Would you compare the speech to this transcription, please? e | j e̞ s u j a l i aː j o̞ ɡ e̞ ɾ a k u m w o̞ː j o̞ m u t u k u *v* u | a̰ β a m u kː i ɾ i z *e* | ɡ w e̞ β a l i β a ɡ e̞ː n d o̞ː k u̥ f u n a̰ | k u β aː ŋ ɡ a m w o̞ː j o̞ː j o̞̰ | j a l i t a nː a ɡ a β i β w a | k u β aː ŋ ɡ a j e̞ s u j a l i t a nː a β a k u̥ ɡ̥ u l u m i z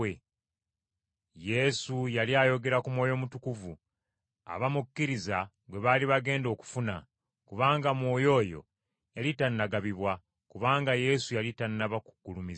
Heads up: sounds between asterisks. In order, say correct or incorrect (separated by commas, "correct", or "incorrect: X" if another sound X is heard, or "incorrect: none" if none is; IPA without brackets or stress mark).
correct, incorrect: a